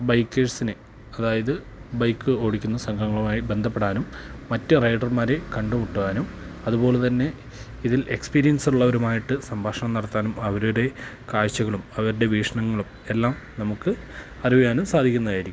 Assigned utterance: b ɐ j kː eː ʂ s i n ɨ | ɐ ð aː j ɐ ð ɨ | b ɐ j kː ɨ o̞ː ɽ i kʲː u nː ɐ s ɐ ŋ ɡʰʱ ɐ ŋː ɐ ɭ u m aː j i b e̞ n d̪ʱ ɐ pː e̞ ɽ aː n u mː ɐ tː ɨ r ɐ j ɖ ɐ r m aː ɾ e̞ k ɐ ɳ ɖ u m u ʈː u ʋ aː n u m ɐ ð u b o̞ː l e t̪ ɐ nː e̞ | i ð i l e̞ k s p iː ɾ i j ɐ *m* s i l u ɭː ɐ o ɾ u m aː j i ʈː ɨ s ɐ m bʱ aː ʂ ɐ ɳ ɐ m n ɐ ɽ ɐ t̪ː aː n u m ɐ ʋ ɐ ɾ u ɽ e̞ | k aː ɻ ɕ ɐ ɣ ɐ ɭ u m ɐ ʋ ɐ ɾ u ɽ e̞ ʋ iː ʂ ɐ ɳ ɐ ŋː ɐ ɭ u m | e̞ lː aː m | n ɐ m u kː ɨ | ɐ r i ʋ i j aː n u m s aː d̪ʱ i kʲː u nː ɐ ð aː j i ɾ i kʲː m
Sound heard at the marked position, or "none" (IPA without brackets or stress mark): n